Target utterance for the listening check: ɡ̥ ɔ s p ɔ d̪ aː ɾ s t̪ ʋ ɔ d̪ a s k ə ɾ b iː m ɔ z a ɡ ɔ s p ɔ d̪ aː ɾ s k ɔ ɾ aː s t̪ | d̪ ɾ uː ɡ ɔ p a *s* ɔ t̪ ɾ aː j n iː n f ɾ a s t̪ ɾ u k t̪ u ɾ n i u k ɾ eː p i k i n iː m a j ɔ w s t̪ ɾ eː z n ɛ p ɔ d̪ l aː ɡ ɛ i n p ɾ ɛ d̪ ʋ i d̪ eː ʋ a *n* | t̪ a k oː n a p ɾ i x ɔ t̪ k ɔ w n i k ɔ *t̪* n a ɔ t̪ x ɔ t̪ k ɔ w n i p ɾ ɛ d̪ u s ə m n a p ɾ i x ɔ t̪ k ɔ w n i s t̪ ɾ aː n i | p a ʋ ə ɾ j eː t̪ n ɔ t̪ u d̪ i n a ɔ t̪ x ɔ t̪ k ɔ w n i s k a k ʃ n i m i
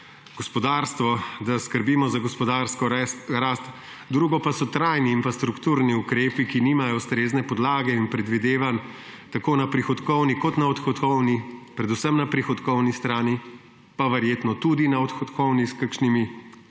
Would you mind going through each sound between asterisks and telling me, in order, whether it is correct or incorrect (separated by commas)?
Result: correct, correct, correct